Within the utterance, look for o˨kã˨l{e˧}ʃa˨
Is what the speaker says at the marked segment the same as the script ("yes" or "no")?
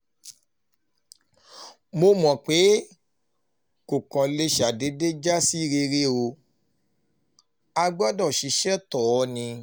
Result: yes